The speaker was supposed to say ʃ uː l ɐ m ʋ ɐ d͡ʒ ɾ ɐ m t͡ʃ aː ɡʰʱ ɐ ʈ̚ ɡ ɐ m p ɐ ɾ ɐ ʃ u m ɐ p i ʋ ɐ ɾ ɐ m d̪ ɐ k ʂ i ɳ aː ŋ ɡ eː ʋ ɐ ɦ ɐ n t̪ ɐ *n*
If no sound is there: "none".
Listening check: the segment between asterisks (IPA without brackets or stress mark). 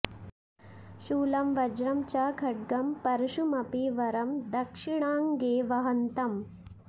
m